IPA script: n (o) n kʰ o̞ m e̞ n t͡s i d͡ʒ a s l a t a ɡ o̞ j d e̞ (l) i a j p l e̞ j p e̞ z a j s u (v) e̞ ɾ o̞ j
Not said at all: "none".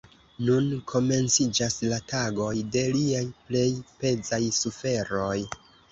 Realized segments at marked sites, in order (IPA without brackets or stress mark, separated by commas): u, l, f